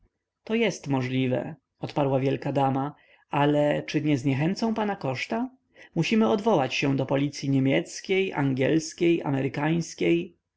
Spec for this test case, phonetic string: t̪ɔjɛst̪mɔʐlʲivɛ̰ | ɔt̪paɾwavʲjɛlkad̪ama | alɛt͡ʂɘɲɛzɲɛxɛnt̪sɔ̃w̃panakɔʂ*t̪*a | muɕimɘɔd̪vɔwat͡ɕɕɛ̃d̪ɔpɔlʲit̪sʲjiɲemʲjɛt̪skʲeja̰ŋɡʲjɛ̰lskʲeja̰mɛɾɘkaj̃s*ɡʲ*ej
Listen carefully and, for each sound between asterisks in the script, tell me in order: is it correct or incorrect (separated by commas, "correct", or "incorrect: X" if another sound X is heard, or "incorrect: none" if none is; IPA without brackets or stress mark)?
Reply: correct, incorrect: kʲ